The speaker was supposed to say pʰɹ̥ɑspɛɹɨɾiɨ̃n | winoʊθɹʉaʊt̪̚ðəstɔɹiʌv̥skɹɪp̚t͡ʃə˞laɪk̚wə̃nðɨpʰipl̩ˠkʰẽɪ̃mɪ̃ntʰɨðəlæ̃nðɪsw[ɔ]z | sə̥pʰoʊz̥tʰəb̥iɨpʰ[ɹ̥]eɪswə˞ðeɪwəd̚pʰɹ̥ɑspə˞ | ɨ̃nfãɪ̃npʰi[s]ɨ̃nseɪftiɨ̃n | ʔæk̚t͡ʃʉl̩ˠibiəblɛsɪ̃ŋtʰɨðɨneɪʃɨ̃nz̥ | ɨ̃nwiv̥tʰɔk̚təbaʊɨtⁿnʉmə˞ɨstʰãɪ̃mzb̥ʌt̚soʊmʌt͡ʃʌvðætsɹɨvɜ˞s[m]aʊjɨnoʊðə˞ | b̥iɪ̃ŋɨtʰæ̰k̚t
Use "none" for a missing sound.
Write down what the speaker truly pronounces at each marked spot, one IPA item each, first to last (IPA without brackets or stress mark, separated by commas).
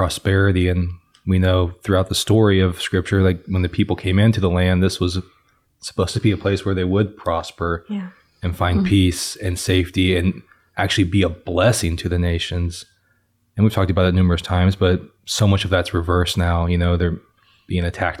ʌ, l̥, s, n